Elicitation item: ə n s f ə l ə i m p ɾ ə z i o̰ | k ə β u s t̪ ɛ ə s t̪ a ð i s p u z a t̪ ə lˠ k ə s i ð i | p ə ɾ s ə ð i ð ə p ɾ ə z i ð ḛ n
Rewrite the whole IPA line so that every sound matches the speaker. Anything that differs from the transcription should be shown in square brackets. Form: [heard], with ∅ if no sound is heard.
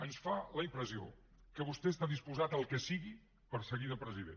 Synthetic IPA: ə n s f [a] l ə i m p ɾ ə z i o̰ | k ə β u s t̪ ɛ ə s t̪ a ð i s p u z a t̪ ə lˠ k ə s i [ɣ] i | p ə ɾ s ə [ɣ] i ð ə p ɾ ə z i ð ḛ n